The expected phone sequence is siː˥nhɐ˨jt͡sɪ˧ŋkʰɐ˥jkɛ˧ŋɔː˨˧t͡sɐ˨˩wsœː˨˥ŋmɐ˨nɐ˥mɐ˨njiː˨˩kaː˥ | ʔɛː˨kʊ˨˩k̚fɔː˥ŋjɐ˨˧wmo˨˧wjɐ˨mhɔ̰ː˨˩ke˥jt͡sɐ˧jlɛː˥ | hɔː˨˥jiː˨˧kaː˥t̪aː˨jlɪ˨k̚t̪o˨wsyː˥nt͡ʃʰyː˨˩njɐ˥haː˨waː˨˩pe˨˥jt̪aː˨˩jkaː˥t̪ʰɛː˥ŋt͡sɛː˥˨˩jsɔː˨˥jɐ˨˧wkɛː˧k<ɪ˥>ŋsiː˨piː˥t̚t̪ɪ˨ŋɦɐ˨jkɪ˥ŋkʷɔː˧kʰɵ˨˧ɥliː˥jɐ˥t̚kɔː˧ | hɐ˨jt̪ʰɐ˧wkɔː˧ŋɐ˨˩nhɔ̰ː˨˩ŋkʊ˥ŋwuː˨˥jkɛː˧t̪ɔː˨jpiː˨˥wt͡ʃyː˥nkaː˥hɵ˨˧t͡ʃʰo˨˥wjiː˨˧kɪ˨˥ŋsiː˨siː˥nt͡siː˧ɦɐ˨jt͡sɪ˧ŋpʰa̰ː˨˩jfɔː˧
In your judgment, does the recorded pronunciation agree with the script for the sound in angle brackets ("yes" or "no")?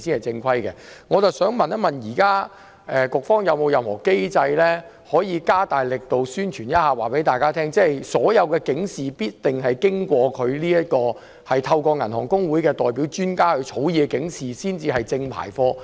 no